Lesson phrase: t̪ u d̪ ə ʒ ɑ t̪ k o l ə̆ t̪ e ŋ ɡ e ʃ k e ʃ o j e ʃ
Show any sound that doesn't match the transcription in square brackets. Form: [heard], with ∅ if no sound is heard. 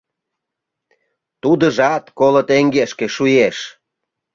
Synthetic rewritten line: t̪ u d̪ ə ʒ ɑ t̪ k o l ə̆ t̪ e ŋ ɡ e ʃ k e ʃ [u] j e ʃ